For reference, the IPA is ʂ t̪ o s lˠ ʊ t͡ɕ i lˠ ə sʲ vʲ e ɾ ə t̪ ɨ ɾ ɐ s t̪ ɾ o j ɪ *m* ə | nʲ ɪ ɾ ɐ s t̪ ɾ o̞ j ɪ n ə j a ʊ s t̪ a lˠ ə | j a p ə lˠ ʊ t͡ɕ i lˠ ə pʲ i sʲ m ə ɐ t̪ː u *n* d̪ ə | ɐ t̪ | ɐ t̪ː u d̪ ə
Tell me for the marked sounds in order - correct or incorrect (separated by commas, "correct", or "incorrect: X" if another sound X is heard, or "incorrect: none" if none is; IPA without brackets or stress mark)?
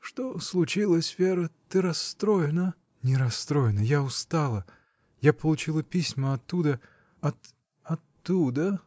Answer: incorrect: n, incorrect: none